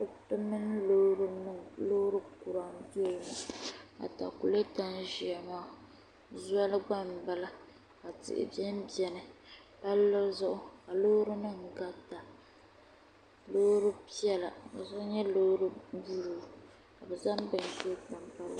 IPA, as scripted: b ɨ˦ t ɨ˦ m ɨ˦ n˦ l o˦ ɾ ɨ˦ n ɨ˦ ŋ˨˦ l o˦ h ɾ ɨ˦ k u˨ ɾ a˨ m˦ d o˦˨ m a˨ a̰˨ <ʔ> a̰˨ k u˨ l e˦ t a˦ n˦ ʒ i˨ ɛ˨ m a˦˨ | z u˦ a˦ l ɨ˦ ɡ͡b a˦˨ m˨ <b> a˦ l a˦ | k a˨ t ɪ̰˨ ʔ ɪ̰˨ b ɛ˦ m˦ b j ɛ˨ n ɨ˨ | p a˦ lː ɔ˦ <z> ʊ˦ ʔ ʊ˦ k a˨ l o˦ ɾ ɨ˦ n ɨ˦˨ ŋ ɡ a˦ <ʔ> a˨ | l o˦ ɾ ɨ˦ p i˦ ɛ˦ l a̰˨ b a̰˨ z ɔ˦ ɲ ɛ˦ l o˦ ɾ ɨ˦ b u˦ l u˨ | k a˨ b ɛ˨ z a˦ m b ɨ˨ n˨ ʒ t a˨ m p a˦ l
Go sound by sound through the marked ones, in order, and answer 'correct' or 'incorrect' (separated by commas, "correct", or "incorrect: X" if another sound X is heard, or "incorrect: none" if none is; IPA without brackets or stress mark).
incorrect: t, correct, correct, incorrect: t